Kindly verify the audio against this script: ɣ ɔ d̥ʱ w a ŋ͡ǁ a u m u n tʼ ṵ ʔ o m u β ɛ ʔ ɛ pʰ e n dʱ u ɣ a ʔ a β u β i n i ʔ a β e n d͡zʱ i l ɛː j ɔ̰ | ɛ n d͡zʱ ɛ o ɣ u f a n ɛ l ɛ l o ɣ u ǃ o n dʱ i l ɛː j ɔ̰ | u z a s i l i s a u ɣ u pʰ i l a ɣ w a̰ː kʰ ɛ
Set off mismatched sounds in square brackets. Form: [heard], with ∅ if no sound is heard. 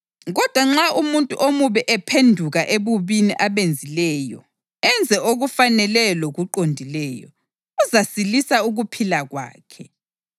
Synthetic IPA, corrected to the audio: ɣ ɔ d̥ʱ w a ŋ͡ǁ a u m u n tʼ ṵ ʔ o m u β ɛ ʔ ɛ pʰ e n dʱ u ɣ a ʔ [e] β u β i n i ʔ a β e n d͡zʱ i l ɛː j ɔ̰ | ɛ n d͡zʱ ɛ o ɣ u f a n ɛ l ɛ l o ɣ u ǃ o n dʱ i l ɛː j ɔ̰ | u z a s i l i s a u ɣ u pʰ i l a ɣ w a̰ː kʰ ɛ